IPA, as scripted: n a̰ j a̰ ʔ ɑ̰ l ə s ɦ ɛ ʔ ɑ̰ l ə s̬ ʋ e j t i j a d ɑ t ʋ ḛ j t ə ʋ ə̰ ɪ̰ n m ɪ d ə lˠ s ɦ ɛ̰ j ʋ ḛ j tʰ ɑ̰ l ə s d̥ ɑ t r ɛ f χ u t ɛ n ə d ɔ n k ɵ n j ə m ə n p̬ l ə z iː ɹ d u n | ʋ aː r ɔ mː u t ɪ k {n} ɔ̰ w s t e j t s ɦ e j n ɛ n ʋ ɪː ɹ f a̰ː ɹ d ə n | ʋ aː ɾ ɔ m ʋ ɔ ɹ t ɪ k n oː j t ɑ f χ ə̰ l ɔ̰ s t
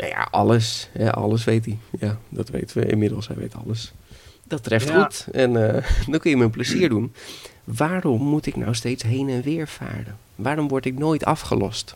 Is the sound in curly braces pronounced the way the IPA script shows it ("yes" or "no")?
yes